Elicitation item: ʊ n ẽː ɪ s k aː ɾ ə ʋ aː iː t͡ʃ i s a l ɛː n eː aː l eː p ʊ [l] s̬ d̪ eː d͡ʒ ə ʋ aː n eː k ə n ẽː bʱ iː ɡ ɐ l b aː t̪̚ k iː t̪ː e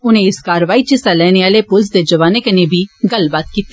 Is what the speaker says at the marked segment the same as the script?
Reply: yes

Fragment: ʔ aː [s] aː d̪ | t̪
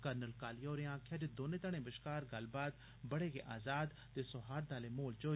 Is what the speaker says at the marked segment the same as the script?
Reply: no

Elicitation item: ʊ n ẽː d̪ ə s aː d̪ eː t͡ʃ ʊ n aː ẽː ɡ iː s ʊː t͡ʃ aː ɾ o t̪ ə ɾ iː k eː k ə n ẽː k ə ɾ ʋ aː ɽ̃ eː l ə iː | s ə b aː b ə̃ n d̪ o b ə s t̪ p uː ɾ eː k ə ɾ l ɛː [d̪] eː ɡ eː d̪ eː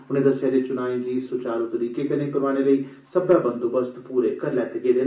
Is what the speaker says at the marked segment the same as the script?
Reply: no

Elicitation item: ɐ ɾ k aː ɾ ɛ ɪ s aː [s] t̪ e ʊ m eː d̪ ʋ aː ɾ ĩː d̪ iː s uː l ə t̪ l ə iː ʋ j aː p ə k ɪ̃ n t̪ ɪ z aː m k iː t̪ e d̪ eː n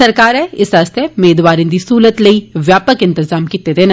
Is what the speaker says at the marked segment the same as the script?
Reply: yes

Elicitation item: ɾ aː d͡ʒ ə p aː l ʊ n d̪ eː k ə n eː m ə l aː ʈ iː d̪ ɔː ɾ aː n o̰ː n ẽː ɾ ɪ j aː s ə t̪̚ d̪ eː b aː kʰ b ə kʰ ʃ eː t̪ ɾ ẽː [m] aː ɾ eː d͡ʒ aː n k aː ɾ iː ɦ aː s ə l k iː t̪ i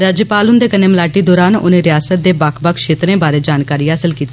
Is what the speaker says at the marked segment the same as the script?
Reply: no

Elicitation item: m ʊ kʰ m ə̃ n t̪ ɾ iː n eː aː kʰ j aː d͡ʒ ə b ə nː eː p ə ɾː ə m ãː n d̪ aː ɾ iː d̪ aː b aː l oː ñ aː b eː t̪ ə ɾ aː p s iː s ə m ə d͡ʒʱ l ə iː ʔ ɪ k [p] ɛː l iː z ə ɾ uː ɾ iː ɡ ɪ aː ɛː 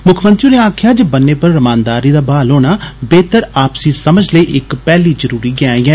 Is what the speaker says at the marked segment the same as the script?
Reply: yes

